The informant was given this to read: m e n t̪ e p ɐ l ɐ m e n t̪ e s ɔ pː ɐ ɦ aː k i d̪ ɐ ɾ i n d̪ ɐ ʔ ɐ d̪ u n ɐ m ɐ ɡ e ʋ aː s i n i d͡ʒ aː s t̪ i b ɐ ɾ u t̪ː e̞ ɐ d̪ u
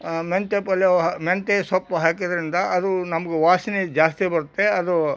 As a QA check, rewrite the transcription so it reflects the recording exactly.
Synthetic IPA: m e n t̪ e p ɐ l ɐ m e n t̪ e s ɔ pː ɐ ɦ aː k i d̪ ɐ ɾ i n d̪ ɐ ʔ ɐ d̪ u n ɐ m ɐ ɡ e ʋ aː s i n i d͡ʒ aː s t̪ i b ɐ ɾ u t̪ː e̞ ɐ d̪ u